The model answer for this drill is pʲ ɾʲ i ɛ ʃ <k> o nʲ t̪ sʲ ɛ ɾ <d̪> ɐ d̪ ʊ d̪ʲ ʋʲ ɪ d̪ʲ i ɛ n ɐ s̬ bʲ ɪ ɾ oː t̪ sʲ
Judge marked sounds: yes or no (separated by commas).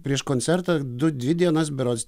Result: yes, no